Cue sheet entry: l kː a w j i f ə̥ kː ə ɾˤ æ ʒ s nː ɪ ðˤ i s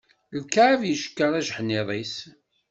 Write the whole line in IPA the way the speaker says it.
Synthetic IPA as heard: l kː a v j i ʃ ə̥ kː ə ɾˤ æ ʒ ħ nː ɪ ðˤ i s